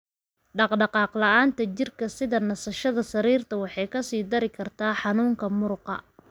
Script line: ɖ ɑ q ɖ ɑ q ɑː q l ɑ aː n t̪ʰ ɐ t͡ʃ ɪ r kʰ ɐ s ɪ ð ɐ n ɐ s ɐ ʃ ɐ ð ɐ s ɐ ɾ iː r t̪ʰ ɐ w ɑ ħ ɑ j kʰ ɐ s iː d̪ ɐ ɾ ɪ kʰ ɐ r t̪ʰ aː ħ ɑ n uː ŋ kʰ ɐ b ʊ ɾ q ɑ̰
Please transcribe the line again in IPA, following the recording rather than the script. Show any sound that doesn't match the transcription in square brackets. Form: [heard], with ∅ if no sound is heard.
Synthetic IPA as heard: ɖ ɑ q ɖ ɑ q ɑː q l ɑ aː n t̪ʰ ɐ t͡ʃ ɪ r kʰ ɐ s ɪ ð ɐ n ɐ s ɐ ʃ ɐ ð ɐ s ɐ ɾ iː r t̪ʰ ɐ w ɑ ħ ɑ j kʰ ɐ s iː d̪ ɐ ɾ ɪ kʰ ɐ r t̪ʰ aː ħ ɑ n uː ŋ kʰ ɐ [m] ʊ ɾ q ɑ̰